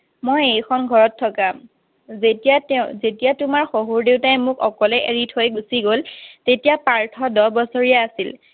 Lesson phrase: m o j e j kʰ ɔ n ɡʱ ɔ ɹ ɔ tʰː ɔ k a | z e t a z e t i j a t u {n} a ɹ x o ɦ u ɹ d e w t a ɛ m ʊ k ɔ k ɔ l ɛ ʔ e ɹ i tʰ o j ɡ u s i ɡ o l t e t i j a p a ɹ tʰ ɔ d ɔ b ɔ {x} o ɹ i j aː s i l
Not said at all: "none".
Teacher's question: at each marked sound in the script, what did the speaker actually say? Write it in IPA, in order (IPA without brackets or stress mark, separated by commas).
m, s